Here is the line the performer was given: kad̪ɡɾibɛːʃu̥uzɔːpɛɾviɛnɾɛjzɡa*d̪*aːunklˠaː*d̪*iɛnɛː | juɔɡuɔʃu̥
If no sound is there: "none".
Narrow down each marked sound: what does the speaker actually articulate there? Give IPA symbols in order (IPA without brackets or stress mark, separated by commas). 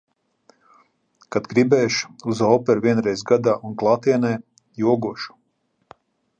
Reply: d̪, t̪